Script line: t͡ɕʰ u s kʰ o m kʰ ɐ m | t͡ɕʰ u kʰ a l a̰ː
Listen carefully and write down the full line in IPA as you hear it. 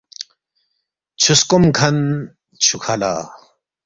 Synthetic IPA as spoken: t͡ɕʰ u s k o m kʰ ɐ n | t͡ɕʰ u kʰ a l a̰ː